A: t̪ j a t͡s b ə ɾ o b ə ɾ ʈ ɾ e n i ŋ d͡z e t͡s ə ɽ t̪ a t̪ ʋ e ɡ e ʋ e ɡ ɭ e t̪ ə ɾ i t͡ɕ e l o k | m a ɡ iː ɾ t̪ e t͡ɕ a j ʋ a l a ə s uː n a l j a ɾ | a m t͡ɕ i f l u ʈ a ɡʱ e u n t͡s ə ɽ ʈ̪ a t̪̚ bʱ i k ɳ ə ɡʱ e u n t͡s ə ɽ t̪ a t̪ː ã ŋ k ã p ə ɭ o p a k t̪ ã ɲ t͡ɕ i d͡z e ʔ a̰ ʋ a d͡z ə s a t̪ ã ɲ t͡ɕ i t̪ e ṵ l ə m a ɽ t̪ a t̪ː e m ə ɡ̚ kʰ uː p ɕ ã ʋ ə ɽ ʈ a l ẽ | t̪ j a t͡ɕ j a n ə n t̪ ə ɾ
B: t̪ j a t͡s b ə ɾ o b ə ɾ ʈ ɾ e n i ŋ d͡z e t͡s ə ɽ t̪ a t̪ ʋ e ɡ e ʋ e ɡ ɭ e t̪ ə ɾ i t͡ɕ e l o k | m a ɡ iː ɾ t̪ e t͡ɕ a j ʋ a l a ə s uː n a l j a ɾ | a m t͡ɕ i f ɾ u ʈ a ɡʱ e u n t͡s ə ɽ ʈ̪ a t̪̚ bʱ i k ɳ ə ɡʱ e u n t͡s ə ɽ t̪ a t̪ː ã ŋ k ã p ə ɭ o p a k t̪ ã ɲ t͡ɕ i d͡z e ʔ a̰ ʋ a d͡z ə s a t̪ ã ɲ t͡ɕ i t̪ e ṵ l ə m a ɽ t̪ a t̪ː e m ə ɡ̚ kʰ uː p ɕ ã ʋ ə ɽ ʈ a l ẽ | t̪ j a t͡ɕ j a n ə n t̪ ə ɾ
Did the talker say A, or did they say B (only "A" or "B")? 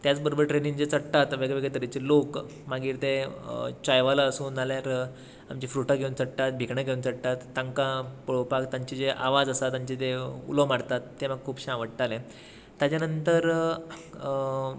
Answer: B